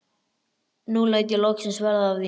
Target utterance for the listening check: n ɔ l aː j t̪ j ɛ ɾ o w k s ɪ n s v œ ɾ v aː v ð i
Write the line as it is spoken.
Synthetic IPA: n u l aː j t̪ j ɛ l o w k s ɪ n s v ɛ ɾ ð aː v ð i